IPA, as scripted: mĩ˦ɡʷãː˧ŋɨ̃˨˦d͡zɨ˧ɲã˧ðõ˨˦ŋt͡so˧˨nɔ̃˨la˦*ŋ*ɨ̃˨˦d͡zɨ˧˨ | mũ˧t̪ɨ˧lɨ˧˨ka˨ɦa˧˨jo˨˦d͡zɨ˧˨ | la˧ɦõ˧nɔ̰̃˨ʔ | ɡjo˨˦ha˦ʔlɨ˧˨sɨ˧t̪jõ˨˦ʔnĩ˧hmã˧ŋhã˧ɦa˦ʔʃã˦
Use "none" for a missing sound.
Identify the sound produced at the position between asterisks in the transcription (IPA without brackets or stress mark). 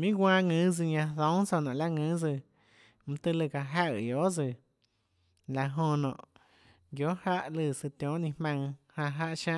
ŋ